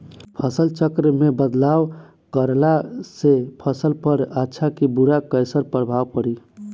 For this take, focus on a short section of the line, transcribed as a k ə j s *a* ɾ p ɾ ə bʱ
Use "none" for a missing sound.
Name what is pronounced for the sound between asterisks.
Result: ə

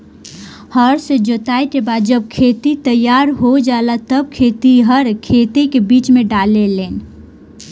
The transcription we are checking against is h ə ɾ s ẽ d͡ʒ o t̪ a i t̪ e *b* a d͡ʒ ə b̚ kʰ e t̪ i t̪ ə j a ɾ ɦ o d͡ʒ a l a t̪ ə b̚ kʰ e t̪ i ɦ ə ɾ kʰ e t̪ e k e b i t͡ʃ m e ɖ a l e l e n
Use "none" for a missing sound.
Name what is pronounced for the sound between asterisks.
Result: b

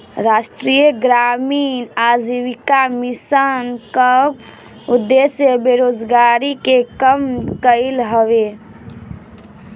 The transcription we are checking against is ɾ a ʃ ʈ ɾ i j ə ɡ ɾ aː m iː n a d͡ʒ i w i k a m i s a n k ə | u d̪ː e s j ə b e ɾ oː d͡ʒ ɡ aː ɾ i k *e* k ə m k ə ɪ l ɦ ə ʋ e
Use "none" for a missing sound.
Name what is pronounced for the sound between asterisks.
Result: e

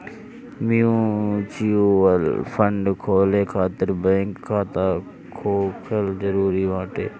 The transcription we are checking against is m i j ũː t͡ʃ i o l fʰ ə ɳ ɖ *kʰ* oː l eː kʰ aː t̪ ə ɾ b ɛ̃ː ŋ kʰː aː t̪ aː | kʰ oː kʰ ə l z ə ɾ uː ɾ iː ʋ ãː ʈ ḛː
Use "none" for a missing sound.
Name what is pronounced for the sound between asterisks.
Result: kʰ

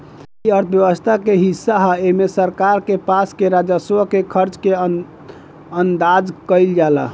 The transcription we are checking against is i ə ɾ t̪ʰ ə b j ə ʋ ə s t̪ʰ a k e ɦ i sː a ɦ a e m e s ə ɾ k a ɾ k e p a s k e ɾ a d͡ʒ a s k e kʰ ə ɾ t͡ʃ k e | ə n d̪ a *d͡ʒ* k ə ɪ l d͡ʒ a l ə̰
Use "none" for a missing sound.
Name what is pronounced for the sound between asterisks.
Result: d͡ʒ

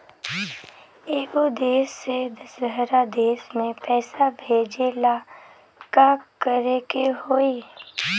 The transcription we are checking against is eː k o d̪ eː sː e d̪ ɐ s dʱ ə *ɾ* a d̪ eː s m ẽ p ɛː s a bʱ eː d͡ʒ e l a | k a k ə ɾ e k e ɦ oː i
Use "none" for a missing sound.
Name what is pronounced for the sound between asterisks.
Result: ɾ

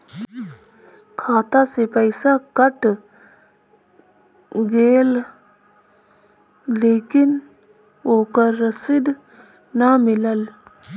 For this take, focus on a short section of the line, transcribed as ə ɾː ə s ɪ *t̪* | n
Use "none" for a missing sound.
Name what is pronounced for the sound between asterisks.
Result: d̪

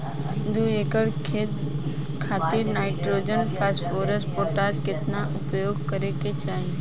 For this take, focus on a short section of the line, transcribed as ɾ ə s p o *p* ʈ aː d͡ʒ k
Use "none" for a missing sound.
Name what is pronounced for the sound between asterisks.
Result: none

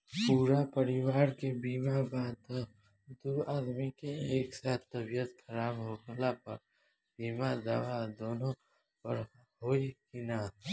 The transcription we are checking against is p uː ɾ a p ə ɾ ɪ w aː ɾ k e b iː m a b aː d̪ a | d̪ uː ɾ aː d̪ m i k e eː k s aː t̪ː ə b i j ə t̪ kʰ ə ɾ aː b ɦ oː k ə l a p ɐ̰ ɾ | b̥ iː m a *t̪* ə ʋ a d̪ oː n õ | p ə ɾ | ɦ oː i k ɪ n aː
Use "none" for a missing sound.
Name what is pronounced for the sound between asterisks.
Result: d̪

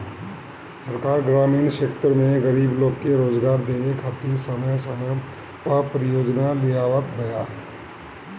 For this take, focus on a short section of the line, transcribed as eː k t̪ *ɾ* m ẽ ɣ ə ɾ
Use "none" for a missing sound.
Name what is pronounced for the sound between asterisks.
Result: ɾ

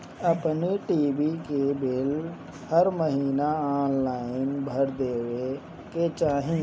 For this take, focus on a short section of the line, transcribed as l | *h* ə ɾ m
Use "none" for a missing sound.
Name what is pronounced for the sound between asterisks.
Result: h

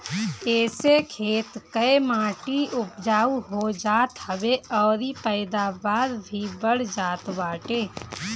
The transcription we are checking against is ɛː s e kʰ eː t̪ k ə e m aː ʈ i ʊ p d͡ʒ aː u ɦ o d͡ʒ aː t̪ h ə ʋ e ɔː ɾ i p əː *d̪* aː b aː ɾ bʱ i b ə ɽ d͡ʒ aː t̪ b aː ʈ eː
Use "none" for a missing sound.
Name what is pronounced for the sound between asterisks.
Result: d̪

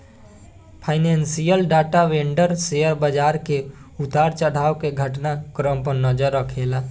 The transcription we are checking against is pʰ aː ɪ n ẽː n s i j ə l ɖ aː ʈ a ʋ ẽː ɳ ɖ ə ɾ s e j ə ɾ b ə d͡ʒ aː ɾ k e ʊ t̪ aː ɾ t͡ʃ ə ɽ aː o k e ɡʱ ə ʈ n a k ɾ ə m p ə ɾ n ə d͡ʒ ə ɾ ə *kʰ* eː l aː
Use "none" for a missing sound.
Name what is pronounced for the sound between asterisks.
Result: kʰ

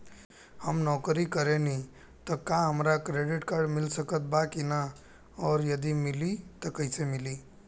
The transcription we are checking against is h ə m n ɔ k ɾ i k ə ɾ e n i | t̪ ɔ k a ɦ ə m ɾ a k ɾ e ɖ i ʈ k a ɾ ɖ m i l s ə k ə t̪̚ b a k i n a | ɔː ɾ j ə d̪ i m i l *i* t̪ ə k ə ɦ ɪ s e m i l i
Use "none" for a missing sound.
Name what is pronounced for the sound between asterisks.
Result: i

